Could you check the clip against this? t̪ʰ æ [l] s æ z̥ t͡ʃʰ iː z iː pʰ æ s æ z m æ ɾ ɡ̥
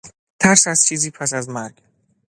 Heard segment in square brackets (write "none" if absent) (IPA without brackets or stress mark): ɾ